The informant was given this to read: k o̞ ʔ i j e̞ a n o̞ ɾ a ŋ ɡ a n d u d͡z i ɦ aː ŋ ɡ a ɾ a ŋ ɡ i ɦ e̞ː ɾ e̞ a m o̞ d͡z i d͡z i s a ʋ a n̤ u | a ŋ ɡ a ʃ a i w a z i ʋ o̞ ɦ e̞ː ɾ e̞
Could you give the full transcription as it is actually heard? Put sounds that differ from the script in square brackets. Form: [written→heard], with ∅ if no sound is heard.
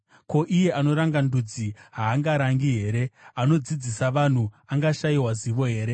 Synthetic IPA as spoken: k o̞ ʔ i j e̞ a n o̞ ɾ a ŋ ɡ a n d u d͡z i ɦ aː ŋ ɡ a ɾ a ŋ ɡ i ɦ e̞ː ɾ e̞ a [m→n] o̞ d͡z i d͡z i s a ʋ a n̤ u | a ŋ ɡ a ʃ a i w a z i ʋ o̞ ɦ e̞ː ɾ e̞